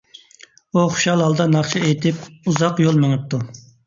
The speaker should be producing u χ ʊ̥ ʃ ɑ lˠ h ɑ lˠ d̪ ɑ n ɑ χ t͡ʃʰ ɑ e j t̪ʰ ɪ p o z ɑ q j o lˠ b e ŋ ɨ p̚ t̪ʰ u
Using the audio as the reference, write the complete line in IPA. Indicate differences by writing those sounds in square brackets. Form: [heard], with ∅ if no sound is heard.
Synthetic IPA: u χ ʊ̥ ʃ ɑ lˠ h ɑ lˠ d̪ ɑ n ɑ χ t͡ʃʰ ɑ e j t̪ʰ ɪ p [u] z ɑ q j o lˠ [m] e ŋ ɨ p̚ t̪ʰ u